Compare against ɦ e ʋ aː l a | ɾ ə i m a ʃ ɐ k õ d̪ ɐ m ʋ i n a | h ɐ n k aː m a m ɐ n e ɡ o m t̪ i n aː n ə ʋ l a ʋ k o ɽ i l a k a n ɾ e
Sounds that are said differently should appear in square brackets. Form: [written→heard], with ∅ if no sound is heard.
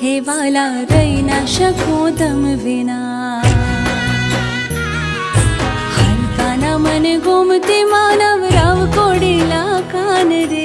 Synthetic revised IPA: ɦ e ʋ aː l a | ɾ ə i [m→n] a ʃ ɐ k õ d̪ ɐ m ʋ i n a | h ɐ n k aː [m→n] a m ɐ n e ɡ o m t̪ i [n→m] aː n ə ʋ [l→ɾ] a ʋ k o ɽ i l a k a n ɾ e